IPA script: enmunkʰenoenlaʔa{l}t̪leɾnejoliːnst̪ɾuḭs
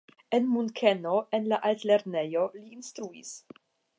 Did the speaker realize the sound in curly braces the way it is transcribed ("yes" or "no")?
yes